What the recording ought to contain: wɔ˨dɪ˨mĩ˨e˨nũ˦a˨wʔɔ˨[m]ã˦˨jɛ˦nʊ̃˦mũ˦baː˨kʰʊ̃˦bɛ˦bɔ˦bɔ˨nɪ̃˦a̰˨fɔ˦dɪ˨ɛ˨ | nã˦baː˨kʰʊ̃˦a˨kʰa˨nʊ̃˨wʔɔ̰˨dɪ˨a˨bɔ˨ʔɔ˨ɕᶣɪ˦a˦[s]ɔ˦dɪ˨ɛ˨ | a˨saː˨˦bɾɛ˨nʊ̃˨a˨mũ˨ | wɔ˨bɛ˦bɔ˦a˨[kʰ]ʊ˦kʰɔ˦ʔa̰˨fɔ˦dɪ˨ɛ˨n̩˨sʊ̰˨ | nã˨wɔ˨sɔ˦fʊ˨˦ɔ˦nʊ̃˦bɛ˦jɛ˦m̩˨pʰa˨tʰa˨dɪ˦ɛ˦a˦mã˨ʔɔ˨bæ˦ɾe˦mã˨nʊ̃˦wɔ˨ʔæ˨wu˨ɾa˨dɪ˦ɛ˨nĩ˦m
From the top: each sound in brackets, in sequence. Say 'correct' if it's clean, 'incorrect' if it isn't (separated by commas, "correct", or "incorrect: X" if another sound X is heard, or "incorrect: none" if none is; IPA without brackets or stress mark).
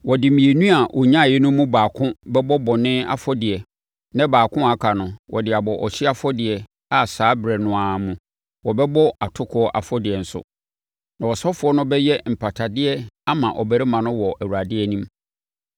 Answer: incorrect: ɲ, incorrect: f, incorrect: tʰ